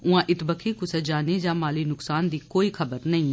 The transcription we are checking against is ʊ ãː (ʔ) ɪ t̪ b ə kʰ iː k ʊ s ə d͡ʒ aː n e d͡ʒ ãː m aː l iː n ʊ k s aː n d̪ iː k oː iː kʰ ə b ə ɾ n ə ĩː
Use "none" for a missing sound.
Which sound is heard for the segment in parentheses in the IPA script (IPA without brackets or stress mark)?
ʔ